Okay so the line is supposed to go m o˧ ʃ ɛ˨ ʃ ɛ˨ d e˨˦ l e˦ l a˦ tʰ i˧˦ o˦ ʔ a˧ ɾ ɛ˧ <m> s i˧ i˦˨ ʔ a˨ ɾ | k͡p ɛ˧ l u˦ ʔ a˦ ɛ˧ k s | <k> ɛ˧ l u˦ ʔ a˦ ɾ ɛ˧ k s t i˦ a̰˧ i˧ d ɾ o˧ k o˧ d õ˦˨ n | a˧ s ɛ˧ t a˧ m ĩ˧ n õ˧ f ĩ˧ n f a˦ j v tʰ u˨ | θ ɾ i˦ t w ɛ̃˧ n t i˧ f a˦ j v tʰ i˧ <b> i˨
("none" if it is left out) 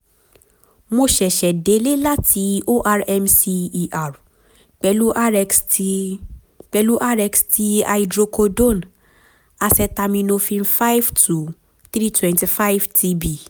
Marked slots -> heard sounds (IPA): m, k͡p, b

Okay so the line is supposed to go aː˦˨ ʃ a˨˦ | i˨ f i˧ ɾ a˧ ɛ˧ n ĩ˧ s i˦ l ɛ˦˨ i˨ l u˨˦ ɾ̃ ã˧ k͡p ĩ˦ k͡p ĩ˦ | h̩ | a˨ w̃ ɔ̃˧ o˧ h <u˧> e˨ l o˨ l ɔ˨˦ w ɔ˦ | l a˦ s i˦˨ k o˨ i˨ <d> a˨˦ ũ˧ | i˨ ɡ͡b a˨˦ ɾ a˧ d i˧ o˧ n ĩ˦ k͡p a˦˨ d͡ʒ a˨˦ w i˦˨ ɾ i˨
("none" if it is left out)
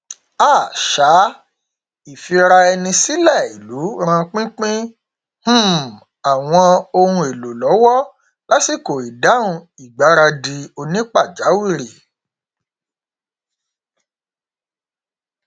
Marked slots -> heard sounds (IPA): ũ˧, d

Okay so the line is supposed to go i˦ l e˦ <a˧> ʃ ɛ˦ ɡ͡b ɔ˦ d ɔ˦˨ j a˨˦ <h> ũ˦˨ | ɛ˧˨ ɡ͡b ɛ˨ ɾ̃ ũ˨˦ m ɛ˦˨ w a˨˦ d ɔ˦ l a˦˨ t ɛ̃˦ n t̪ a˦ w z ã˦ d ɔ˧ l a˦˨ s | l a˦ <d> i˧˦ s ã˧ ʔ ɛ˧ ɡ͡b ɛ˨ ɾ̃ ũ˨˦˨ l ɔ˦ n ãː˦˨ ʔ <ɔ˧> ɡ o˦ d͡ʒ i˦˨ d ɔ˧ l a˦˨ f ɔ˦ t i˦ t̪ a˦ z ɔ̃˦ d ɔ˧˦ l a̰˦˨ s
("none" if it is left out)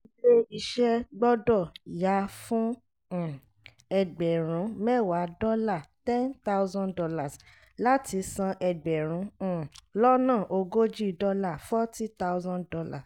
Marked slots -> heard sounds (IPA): i˧, f, t, o˧

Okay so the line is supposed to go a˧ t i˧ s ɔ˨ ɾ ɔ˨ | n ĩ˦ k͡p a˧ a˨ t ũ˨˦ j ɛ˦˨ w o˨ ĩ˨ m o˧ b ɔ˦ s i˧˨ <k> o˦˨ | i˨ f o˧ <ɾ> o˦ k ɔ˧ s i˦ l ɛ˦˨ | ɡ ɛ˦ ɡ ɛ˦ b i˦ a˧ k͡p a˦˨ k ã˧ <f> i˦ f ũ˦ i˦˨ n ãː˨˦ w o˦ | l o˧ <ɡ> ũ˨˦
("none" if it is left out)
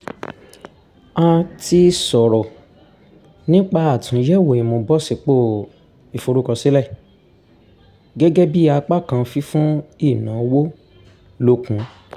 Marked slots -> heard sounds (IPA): k͡p, ɾ, f, k

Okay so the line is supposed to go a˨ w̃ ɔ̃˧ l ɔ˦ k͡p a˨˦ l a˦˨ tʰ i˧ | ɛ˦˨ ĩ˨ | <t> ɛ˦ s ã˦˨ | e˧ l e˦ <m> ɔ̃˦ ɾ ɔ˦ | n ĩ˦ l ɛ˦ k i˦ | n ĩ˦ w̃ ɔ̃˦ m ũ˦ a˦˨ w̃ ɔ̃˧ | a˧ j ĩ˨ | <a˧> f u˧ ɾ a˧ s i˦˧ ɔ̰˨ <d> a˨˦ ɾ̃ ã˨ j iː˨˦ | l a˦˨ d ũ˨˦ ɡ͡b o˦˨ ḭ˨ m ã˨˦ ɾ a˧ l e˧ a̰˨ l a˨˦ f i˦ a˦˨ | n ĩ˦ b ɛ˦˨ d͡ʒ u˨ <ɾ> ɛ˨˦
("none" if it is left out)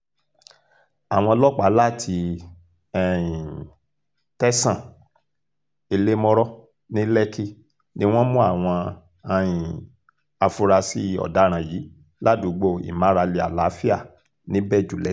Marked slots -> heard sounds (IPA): t, m, a˧, d, l

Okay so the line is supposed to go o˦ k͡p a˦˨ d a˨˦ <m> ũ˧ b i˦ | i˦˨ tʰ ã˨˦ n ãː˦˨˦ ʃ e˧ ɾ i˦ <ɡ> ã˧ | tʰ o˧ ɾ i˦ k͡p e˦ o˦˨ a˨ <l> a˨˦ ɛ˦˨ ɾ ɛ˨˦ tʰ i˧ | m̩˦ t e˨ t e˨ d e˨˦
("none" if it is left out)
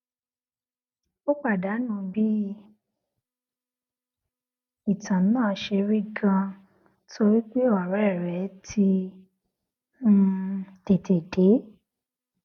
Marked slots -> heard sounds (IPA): n, ɡ, ɾ

